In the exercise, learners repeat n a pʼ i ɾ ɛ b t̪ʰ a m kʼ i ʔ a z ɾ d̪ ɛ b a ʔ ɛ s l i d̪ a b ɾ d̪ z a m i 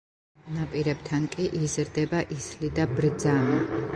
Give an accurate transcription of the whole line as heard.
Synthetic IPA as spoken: n a pʼ i ɾ ɛ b t̪ʰ a n kʼ i ʔ i z ɾ d̪ ɛ b a ʔ i s l i d̪ a b ɾ d̪ z a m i